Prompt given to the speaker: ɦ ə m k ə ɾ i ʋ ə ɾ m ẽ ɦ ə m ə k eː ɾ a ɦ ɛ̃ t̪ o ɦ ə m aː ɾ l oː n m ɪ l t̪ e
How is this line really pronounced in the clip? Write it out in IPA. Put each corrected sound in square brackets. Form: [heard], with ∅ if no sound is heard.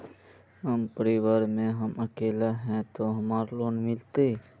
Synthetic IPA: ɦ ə m [p] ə ɾ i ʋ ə ɾ m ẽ ɦ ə m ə k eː [l] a ɦ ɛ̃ t̪ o ɦ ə m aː ɾ l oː n m ɪ l t̪ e